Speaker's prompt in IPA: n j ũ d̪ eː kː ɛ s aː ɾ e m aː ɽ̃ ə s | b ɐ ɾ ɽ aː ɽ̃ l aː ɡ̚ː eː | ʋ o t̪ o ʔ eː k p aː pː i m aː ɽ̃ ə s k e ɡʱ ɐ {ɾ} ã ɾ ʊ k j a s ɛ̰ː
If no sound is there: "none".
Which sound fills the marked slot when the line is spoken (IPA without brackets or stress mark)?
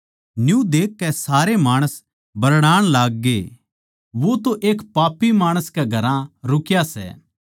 ɾ